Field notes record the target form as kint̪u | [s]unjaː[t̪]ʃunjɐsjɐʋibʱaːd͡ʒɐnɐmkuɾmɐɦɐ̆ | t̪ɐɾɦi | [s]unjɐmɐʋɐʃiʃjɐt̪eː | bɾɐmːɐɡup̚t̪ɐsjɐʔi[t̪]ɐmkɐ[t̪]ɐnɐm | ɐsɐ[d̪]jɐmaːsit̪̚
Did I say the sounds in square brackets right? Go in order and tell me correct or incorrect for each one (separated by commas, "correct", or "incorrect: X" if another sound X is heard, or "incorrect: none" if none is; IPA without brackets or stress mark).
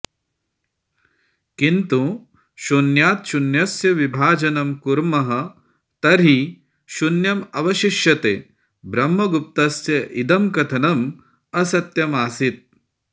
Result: incorrect: ʃ, correct, incorrect: ʃ, incorrect: d̪, incorrect: t̪ʰ, incorrect: t̪